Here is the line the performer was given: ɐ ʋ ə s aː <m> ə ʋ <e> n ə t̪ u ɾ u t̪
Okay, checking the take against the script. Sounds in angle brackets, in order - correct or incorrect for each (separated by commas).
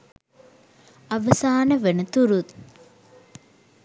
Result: incorrect, correct